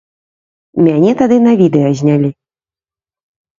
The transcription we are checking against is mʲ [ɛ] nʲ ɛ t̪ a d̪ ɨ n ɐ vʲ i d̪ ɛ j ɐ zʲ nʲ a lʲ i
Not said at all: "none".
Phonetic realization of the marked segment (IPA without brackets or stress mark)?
a